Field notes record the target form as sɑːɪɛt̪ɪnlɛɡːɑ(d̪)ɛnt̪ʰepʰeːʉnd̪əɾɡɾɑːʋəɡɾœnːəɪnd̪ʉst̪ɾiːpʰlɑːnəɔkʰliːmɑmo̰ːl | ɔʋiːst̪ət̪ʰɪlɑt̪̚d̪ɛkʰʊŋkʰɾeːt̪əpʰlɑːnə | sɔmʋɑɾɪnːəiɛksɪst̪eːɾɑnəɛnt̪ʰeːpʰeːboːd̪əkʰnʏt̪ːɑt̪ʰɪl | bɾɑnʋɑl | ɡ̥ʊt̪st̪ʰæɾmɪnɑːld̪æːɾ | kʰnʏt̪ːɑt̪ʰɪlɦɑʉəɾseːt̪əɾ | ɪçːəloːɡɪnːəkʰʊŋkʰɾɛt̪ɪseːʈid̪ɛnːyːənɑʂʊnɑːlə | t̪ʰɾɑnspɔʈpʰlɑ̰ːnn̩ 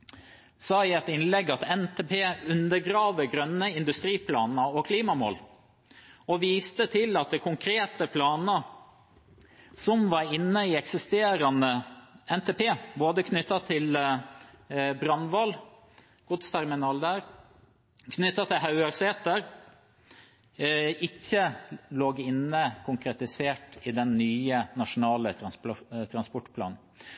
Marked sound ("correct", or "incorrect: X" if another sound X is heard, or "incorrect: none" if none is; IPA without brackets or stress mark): incorrect: t̪